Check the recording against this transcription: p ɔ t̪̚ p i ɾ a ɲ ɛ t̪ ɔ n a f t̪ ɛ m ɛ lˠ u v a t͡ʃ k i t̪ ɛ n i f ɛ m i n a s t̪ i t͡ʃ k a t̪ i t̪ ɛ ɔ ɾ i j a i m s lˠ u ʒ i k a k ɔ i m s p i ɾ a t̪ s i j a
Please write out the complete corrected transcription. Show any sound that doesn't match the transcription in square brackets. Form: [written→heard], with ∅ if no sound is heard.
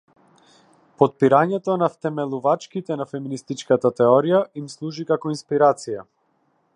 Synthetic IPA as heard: p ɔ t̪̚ p i ɾ a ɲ ɛ t̪ ɔ n a f t̪ ɛ m ɛ lˠ u v a t͡ʃ k i t̪ ɛ n [i→a] f ɛ m i n [a→i] s t̪ i t͡ʃ k a t̪ [i→a] t̪ ɛ ɔ ɾ i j a i m s lˠ u ʒ i k a k ɔ i [m→n] s p i ɾ a t̪ s i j a